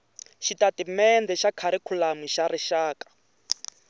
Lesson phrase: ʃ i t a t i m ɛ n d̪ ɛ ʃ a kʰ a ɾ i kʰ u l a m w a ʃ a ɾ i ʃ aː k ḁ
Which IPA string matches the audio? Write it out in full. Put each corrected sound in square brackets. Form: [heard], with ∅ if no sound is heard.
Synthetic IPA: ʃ i t a t i m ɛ n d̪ ɛ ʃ a kʰ a ɾ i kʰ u l a m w [i] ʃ a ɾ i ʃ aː k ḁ

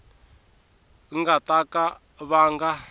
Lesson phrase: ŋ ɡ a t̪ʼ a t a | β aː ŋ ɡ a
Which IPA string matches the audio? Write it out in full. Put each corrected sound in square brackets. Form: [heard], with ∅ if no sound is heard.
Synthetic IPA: ŋ ɡ a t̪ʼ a [k] a | β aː ŋ ɡ a

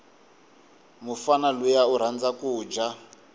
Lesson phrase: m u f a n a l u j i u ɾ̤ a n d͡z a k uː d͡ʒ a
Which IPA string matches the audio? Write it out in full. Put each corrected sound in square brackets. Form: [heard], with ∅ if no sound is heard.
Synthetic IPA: m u f a n a l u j [a] u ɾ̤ a n d͡z a k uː d͡ʒ a

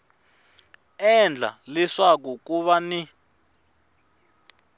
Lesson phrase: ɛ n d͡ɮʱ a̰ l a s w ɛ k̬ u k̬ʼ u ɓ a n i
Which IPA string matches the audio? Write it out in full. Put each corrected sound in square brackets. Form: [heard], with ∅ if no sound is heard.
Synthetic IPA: ɛ n d͡ɮʱ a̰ l [i] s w [a] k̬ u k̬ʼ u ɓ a n i

